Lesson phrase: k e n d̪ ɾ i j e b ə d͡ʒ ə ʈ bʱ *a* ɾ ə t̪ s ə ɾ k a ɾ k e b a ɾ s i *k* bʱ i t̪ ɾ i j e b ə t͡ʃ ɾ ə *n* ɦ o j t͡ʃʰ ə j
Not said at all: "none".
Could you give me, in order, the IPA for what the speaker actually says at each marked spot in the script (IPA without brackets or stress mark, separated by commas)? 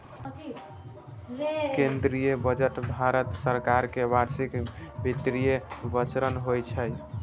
a, k, n